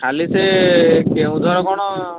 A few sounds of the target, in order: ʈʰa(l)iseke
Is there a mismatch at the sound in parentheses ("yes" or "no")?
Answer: no